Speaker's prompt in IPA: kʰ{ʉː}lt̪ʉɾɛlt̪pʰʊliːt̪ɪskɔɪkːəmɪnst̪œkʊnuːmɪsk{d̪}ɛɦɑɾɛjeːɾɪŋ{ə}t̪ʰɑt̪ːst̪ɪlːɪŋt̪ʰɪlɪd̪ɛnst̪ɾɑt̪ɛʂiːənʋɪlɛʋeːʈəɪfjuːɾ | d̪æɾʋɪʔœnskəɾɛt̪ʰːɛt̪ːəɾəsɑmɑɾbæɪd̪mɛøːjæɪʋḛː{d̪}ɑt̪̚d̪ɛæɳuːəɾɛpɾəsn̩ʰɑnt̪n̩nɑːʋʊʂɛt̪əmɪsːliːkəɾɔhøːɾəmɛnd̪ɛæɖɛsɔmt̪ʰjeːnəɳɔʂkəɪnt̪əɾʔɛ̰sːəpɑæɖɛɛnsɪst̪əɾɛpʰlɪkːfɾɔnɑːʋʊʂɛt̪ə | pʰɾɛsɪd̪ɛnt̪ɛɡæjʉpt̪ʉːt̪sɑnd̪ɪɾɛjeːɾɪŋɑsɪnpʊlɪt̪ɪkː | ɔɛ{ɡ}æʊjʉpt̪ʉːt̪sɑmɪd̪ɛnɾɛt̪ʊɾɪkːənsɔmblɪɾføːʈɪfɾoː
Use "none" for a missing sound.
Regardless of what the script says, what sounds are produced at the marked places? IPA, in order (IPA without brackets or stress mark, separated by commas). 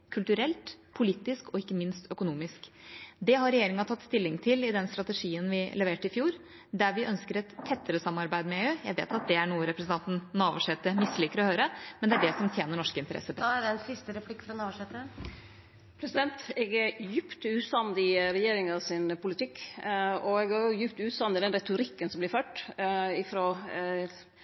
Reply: ʉ, d̪, ɑ, t̪, ɡ